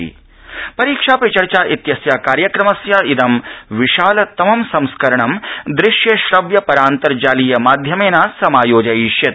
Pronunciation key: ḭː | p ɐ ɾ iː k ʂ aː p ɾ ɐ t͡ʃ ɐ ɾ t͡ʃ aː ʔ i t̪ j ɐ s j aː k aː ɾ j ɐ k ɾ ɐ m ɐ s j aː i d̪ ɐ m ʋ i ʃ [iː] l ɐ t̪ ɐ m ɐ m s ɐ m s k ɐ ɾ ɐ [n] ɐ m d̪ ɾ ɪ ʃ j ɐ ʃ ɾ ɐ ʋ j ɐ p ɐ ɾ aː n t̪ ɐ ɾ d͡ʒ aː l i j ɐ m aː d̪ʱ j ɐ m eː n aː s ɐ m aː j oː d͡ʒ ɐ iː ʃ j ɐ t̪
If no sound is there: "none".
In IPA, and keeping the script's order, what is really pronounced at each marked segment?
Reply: aː, ɳ

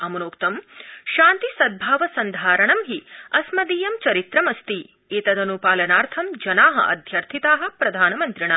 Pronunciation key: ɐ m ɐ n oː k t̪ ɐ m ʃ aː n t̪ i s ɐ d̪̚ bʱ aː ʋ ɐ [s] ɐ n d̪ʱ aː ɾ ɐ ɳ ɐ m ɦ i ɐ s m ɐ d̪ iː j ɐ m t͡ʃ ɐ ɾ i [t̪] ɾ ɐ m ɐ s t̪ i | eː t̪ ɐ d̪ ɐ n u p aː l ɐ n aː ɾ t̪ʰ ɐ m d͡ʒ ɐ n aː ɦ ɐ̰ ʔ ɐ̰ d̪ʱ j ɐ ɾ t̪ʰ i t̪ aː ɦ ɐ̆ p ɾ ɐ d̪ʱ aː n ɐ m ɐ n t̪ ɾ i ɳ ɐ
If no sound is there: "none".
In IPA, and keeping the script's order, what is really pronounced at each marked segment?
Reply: s, t̪

